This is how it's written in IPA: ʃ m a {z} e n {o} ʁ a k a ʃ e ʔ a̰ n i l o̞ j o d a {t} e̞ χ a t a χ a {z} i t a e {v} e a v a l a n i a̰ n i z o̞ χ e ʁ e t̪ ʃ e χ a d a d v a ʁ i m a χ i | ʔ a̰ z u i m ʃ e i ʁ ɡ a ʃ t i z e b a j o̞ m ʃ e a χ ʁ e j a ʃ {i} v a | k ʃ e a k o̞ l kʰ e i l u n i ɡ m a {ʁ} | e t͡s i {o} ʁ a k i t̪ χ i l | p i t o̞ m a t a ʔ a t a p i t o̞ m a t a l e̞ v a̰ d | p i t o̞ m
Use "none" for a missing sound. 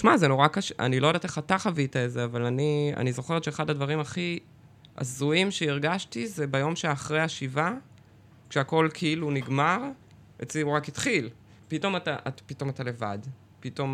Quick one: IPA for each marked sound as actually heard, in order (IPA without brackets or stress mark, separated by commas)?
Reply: z, o, t, v, z, i, ʁ, u